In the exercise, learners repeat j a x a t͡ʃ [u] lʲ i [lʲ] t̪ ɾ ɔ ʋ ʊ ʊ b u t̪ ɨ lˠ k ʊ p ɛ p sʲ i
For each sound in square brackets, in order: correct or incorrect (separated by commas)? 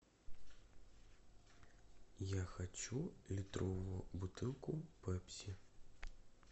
correct, incorrect